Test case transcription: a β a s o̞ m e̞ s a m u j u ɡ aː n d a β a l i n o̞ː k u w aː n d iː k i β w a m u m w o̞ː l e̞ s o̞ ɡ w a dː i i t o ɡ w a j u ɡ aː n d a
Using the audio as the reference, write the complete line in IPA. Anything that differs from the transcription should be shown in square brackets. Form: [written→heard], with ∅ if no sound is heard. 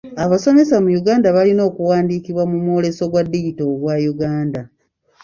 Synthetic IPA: a β a s o̞ m e̞ s a m u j u ɡ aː n d a β a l i n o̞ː k u w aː n d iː k i β w a m u m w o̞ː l e̞ s o̞ ɡ w a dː i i t o ɡ w a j u ɡ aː n d a